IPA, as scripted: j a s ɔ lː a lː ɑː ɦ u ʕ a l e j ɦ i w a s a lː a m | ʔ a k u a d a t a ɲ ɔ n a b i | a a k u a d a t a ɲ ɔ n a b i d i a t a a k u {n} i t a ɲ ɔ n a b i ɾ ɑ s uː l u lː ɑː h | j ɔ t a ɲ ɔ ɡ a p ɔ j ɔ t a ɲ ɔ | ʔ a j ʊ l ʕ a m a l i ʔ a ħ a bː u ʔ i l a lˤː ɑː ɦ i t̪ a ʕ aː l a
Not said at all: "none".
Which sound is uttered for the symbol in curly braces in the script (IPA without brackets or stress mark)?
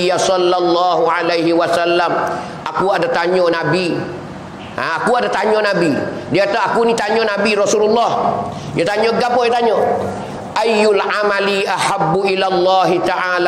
n